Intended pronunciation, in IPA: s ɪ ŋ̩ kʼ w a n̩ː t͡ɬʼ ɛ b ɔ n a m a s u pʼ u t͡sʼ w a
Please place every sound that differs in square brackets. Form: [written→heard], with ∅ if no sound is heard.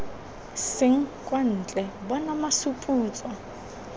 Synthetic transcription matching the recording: s ɪ ŋ̩ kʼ w a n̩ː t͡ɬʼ ɛ b ɔ n a m a s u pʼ [u→uː] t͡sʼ w a